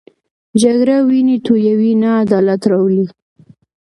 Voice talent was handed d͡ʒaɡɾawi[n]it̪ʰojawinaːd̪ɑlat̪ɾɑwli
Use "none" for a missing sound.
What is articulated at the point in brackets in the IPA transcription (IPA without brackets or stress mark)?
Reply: n